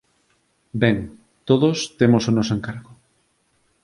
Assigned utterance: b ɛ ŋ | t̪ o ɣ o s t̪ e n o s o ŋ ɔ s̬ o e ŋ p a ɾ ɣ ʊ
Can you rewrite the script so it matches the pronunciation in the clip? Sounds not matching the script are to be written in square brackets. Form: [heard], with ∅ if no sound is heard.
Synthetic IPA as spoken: b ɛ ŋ | t̪ o [ð] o s t̪ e [m] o s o [n] ɔ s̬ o e ŋ [k] a ɾ ɣ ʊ